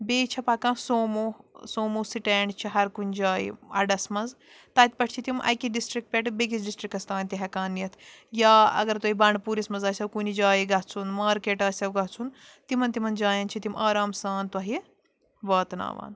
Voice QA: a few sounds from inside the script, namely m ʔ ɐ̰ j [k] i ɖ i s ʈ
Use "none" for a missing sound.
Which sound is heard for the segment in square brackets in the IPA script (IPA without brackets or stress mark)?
k